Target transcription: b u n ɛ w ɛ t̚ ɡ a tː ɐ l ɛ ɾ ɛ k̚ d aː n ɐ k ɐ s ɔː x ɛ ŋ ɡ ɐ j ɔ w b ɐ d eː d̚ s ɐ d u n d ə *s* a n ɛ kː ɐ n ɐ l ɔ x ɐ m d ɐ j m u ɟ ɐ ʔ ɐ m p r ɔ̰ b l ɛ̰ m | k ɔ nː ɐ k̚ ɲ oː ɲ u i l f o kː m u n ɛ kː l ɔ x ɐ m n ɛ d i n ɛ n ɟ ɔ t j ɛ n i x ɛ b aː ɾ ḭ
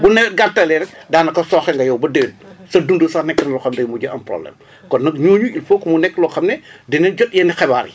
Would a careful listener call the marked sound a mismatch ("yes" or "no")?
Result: no